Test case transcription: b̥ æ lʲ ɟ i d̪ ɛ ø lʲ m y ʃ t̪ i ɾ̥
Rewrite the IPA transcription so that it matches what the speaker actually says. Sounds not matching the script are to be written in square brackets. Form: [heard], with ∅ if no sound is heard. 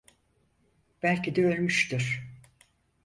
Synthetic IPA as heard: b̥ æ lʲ [c] i d̪ ɛ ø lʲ m y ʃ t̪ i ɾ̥